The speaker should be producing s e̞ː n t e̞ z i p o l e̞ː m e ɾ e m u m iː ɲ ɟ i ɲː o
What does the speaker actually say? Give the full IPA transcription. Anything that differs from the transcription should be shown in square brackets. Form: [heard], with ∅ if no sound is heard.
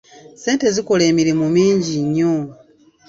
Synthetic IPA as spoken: s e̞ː n t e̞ z i [k] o l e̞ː m [i] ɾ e m u m iː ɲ ɟ i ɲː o